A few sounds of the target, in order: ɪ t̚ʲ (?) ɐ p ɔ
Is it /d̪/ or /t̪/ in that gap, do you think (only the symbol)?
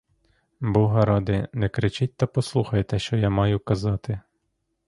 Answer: t̪